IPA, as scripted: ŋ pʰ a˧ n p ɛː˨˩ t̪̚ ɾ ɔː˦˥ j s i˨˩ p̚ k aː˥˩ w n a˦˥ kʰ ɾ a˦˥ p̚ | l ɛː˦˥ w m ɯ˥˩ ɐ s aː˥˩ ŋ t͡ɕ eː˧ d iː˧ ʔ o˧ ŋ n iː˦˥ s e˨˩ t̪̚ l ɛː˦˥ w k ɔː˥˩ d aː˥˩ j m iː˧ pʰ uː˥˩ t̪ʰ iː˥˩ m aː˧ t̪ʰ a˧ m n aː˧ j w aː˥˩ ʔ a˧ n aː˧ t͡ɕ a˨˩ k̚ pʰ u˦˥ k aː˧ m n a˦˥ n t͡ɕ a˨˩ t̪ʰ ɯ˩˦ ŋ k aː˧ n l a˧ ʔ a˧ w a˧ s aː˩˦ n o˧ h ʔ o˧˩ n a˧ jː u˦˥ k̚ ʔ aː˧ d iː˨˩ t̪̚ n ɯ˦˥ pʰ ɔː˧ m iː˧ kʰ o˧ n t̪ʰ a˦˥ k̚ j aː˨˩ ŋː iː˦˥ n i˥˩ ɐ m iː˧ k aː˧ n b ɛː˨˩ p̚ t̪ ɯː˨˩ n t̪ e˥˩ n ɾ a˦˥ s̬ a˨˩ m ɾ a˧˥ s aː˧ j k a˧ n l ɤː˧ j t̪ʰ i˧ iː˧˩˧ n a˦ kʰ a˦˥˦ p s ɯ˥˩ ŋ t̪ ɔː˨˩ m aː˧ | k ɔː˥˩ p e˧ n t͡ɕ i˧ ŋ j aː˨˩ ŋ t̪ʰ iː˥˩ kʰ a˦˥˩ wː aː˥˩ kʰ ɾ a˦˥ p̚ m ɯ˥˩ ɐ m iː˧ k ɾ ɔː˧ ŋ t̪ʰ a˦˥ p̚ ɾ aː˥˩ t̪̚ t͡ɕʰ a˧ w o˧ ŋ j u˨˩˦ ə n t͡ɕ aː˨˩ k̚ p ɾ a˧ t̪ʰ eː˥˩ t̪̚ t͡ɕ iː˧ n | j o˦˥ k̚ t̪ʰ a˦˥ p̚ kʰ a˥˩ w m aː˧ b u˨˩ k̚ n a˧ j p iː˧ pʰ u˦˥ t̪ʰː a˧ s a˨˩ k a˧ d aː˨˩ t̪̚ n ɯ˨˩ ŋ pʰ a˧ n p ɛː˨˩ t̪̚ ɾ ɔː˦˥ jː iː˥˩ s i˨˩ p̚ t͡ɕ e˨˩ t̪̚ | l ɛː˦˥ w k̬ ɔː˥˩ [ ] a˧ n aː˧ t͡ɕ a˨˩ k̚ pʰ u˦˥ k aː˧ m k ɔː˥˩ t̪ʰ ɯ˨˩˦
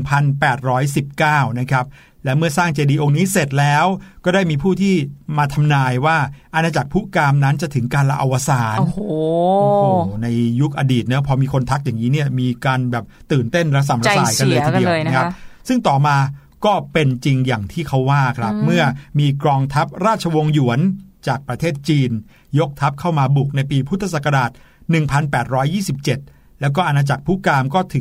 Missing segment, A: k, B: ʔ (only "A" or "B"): B